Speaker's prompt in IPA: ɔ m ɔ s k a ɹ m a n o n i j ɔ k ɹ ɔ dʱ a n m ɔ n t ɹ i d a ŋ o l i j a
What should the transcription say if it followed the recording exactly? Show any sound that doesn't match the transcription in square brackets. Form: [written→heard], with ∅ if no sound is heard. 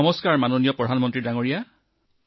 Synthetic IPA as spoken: ɔ m ɔ s k a ɹ m a n o n i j ɔ [k→p] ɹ ɔ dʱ a n m ɔ n t ɹ i d a ŋ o [l→ɹ] i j a